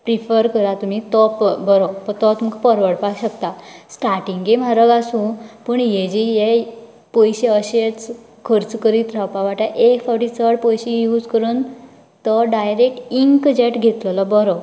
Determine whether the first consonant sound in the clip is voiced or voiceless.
voiceless